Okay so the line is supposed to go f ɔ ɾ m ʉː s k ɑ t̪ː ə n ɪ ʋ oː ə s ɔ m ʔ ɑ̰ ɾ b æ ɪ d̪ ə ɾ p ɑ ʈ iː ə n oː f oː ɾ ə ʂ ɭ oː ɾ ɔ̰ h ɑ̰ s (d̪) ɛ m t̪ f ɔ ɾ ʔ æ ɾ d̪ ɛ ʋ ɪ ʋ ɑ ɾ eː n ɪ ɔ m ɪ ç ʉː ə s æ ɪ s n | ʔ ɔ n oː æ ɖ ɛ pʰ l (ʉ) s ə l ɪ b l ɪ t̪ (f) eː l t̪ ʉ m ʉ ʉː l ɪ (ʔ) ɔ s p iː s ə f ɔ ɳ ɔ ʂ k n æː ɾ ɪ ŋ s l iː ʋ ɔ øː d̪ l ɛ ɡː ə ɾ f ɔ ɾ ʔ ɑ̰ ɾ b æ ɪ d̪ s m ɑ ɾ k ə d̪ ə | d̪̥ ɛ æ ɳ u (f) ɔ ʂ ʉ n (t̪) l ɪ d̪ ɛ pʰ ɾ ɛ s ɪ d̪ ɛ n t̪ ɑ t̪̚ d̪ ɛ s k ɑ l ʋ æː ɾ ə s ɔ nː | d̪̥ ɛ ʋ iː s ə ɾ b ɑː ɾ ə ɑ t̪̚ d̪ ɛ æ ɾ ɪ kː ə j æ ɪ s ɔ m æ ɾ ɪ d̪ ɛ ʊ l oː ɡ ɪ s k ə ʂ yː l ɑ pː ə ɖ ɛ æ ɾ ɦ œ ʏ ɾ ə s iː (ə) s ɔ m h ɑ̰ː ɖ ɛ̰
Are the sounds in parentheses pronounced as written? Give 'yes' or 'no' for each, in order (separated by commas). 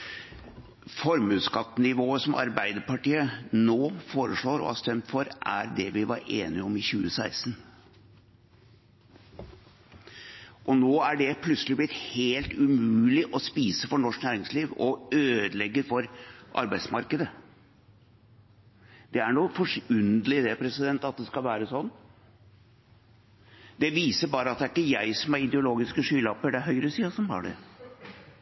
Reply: no, yes, no, yes, yes, no, no